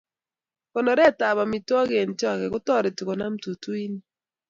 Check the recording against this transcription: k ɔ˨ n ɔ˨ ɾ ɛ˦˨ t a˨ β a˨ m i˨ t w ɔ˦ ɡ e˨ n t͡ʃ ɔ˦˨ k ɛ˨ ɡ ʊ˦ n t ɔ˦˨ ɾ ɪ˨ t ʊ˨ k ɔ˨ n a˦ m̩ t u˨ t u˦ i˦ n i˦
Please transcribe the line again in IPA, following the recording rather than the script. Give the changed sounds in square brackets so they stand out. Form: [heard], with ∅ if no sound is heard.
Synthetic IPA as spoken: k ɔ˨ n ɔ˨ ɾ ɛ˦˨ t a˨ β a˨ m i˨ t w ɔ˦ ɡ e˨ n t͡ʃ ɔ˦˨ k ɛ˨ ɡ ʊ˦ [∅] t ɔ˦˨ ɾ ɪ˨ t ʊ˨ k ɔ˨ n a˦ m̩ t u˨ t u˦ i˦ n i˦